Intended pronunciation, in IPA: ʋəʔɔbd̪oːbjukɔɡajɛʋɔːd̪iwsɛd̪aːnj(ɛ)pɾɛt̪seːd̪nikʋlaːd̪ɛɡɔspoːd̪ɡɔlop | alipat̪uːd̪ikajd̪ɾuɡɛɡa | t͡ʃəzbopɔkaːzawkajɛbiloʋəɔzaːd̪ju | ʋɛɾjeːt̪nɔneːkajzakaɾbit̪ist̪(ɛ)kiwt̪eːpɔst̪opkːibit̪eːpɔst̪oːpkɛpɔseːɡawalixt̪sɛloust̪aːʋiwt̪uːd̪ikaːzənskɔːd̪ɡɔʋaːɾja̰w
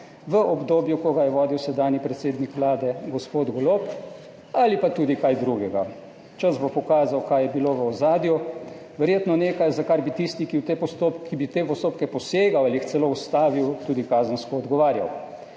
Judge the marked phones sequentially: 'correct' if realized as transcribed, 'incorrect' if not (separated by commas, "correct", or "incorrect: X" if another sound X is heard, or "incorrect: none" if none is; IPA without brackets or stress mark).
incorrect: i, incorrect: i